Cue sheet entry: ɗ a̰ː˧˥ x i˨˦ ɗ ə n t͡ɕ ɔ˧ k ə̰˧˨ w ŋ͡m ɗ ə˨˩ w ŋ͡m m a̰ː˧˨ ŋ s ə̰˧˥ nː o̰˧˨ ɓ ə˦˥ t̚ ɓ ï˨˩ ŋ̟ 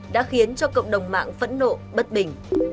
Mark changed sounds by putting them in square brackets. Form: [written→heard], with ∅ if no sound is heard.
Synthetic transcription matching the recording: ɗ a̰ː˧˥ x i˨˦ [ɗ→∅] ə n t͡ɕ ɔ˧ k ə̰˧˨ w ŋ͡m ɗ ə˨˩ w ŋ͡m m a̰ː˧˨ ŋ [s→f] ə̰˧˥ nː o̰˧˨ ɓ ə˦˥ t̚ ɓ ï˨˩ ŋ̟